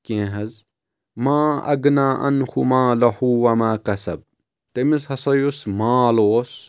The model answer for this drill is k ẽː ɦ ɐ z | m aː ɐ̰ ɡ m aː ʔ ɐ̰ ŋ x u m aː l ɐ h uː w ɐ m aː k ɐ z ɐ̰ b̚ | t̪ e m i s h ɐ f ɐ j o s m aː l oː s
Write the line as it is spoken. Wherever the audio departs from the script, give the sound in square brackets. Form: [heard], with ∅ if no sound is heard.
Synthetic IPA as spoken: k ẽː ɦ ɐ z | m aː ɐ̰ ɡ [n] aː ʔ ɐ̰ [n] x u m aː l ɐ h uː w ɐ m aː k ɐ [s] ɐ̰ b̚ | t̪ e m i s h ɐ [s] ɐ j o s m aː l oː s